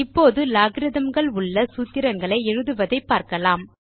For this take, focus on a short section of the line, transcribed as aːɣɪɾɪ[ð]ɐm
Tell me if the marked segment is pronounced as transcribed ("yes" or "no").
yes